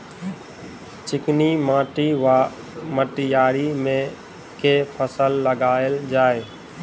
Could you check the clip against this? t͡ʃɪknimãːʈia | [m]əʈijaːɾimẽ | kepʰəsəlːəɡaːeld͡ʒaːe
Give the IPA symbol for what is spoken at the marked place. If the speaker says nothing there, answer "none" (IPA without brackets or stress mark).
m